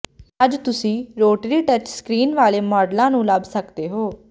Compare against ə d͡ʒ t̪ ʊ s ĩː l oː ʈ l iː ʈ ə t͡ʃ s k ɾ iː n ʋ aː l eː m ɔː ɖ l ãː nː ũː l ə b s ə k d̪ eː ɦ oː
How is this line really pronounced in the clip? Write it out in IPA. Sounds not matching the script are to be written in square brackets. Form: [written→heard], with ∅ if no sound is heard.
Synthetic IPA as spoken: ə d͡ʒ t̪ ʊ s ĩː [l→ɾ] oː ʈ [l→ɾ] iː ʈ ə t͡ʃ s k ɾ iː n ʋ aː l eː m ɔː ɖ l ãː [nː→n] ũː l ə b s ə k d̪ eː ɦ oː